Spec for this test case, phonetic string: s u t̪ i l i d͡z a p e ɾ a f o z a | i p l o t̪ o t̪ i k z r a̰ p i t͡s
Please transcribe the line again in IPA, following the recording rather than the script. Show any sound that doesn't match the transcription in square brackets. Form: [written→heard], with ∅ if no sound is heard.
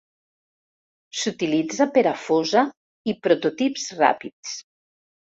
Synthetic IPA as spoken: s u t̪ i l i d͡z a p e ɾ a f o z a | i p [l→ɾ] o t̪ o t̪ i [k→p] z r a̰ p i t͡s

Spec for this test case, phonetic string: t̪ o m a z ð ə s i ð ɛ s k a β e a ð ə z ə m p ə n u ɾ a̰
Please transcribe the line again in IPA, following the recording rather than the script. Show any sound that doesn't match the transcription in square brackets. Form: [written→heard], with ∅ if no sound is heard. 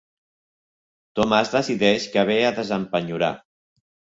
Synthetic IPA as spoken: t̪ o m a z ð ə s i ð ɛ [s→ʃ] k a β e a ð ə z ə m p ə [n→ɲ] u ɾ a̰

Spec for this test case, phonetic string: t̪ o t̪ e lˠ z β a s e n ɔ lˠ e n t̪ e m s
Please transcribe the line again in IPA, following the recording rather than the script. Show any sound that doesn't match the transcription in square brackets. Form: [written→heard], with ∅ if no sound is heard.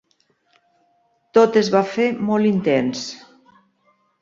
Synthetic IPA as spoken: t̪ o t̪ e [lˠ→∅] z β a [s→f] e [n→m] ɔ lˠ [e→i] n t̪ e [m→n] s

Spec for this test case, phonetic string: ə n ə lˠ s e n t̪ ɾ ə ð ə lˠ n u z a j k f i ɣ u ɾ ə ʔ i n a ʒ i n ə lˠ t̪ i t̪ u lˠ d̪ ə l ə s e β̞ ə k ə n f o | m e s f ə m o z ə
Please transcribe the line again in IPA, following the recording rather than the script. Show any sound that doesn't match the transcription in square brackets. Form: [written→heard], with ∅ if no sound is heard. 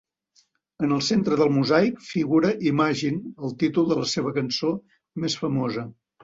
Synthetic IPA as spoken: ə n ə lˠ s e n t̪ ɾ ə ð ə lˠ [n→m] u z a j k f i ɣ u ɾ ə ʔ i [n→m] a ʒ i n ə lˠ t̪ i t̪ u lˠ d̪ ə l ə s e β̞ ə k ə n [f→s] o | m e s f ə m o z ə

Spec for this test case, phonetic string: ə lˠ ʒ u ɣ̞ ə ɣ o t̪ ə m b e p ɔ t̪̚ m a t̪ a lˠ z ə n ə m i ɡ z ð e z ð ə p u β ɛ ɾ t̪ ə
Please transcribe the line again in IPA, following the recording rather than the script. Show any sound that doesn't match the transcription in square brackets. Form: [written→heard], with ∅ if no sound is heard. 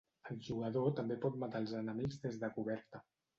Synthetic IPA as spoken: ə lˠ ʒ u ɣ̞ ə [ɣ→ð] o t̪ ə m b e p ɔ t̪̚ m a t̪ a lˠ z ə n ə m i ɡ z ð e z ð ə [p→k] u β ɛ ɾ t̪ ə

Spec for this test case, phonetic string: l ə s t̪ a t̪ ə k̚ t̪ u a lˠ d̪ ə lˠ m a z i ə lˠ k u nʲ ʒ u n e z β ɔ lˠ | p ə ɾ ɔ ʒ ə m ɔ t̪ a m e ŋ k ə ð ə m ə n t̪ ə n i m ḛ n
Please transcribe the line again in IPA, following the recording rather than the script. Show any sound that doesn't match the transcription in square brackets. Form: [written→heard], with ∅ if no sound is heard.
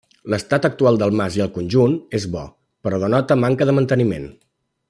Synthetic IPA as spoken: l ə s t̪ a t̪ ə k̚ t̪ u a lˠ d̪ ə lˠ m a z i ə lˠ k u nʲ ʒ u n e z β ɔ [lˠ→∅] | p ə ɾ ɔ [ʒ→ð] ə [m→n] ɔ t̪ [a→ə] m [e→a] ŋ k ə ð ə m ə n t̪ ə n i m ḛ n

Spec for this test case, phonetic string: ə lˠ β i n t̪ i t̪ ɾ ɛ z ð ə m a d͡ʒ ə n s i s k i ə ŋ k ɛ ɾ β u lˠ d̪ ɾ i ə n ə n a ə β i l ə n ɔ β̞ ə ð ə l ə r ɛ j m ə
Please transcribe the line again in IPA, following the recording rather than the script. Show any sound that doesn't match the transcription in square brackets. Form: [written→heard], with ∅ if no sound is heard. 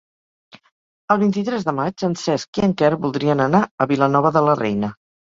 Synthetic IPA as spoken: ə lˠ β i n t̪ i t̪ ɾ ɛ z ð ə m a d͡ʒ ə n s [i→ɛ] s k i ə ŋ k ɛ ɾ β u lˠ d̪ ɾ i ə n ə n a ə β i l ə n ɔ β̞ ə ð ə l ə r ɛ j [m→n] ə

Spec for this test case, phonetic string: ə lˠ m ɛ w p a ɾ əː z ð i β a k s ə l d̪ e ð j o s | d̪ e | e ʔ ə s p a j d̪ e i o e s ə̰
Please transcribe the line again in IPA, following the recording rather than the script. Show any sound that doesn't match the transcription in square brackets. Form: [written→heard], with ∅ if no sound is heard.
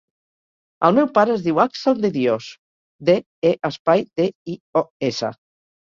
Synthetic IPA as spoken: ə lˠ m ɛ w p a ɾ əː z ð i [β→w] a k s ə l d̪ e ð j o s | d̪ e | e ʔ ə s p a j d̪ e i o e s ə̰

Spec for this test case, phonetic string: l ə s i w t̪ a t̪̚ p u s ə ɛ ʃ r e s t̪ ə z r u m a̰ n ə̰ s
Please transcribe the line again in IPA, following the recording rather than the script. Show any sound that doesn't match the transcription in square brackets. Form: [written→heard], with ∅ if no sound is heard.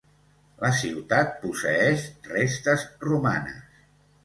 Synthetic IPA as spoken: l ə s i w t̪ a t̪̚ p u s ə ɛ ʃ r e s t̪ ə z r u m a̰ n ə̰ s

